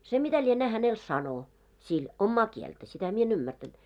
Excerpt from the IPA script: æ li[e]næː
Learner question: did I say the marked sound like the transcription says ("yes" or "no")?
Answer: yes